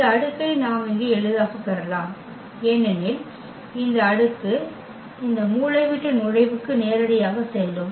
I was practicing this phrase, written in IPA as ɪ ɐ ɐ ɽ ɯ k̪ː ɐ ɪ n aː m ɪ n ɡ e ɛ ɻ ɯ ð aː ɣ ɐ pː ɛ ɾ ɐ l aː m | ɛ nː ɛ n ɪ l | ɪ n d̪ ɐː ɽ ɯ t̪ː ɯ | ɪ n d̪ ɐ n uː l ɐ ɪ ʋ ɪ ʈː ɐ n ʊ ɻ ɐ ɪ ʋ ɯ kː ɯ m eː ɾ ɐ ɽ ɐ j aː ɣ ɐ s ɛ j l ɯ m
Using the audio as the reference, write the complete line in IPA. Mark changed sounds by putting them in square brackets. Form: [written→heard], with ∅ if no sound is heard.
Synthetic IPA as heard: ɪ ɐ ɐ ɽ ɯ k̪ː ɐ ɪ n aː m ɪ [n→ŋ] ɡ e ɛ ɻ ɯ ð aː ɣ ɐ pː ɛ ɾ ɐ l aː m | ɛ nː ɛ n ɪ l | ɪ n d̪ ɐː ɽ ɯ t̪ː ɯ | ɪ n d̪ ɐ [n→m] uː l ɐ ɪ ʋ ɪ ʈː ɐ n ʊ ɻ ɐ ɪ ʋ ɯ kː ɯ [m→n] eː ɾ ɐ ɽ ɐ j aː ɣ ɐ s ɛ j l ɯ m